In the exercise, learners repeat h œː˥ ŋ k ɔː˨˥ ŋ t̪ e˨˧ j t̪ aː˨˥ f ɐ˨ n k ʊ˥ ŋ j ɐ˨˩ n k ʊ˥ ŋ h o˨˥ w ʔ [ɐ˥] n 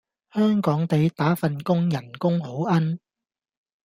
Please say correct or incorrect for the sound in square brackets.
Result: correct